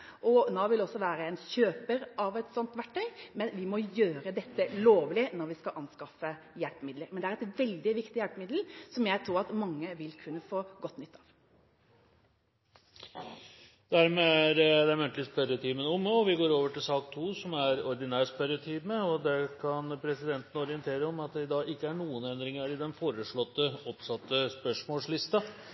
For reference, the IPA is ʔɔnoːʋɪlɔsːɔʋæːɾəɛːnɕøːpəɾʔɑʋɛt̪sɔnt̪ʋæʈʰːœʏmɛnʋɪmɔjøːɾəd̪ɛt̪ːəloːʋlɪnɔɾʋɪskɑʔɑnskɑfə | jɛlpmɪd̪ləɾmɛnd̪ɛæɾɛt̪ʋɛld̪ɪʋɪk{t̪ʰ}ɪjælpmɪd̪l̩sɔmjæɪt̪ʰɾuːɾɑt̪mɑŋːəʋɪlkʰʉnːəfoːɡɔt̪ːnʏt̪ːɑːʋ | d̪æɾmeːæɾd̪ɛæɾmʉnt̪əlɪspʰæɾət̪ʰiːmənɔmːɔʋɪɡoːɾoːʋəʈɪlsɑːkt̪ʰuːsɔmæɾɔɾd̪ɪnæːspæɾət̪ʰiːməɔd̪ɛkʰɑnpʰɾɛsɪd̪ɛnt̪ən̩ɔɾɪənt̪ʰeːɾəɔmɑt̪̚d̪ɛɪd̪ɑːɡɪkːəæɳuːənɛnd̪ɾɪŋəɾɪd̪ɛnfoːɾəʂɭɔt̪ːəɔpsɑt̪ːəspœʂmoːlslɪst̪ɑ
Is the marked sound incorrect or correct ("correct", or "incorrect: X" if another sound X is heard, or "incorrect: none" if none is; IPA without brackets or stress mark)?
incorrect: t̪